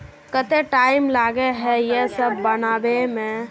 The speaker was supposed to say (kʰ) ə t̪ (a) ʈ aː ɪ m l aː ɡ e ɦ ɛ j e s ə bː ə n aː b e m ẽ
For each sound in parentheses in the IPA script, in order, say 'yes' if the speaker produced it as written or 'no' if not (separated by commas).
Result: no, no